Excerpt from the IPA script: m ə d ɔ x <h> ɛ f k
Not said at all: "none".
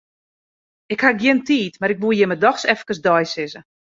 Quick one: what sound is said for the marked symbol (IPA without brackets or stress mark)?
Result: s